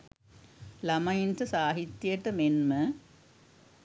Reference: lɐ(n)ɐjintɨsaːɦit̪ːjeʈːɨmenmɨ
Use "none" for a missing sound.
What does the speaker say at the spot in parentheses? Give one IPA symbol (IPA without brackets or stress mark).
m